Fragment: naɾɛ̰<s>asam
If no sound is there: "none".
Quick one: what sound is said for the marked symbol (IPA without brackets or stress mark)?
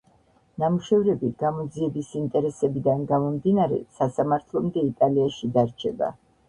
s